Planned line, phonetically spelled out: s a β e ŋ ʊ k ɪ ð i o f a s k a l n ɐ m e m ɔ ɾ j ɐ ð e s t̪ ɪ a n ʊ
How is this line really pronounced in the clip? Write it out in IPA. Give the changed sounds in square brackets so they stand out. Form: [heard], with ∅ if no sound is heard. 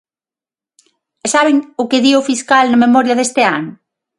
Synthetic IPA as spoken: s a β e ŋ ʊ k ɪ ð i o f [i] s k a l n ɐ m e m ɔ ɾ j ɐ ð e s t̪ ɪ a n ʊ